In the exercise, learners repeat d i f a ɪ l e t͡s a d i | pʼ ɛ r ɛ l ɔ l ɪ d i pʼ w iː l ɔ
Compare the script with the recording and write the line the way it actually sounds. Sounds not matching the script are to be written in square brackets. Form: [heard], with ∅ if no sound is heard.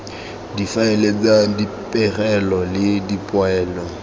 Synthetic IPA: d i f a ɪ l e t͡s a d i | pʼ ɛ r ɛ l ɔ l ɪ d i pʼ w [ɛː] l ɔ